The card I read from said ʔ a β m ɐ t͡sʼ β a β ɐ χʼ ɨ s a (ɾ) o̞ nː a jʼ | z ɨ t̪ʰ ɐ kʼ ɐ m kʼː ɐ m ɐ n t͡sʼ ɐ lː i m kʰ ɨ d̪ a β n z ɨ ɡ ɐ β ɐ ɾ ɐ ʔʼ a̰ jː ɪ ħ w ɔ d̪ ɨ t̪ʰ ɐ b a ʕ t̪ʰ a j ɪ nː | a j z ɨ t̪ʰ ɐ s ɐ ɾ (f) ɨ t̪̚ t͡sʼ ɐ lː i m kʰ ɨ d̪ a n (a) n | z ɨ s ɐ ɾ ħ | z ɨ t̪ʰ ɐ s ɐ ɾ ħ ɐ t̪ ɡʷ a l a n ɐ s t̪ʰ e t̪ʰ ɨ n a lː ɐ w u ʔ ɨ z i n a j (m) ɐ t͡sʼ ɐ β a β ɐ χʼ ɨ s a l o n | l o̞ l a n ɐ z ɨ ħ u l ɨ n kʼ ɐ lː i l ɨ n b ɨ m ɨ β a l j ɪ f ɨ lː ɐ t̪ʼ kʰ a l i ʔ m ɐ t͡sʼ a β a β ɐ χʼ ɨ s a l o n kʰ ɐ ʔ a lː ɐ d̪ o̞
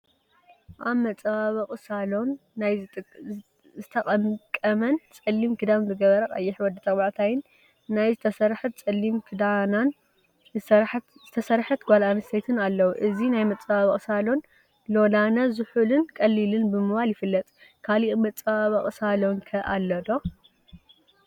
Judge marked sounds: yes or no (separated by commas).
no, no, yes, yes